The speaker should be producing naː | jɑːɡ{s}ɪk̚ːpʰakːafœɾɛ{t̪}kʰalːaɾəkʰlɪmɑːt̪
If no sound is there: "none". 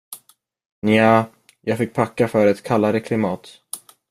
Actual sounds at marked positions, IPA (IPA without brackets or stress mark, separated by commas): f, t̪